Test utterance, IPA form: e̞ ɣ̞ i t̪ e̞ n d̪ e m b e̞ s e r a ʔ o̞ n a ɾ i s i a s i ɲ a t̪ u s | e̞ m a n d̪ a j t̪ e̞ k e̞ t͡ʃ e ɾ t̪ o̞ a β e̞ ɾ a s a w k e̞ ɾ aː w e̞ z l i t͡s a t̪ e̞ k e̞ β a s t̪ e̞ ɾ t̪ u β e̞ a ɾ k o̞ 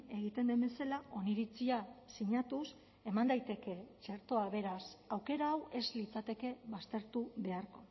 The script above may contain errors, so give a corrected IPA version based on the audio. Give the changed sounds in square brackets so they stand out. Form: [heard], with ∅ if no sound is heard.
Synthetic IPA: e̞ ɣ̞ i t̪ e̞ n d̪ e m b e̞ s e [l] a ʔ o̞ n [i] ɾ i [t͡s] i a s i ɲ a t̪ u s | e̞ m a n d̪ a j t̪ e̞ k e̞ t͡ʃ e ɾ t̪ o̞ a β e̞ ɾ a s a w k e̞ ɾ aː w e̞ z l i t͡s a t̪ e̞ k e̞ β a s t̪ e̞ ɾ t̪ u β e̞ a ɾ k o̞